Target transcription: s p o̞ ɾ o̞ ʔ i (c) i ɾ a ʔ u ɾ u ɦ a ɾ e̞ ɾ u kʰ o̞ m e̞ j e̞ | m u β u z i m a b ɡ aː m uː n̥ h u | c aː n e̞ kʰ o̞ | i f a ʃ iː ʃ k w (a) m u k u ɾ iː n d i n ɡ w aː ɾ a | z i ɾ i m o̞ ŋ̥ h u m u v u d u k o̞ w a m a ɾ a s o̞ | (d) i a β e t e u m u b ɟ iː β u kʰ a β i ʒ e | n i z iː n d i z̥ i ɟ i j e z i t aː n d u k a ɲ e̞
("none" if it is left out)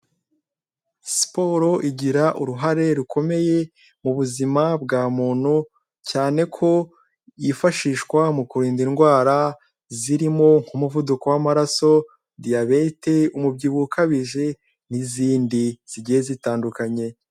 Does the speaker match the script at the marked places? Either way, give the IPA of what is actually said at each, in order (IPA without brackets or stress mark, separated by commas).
ɟ, a, d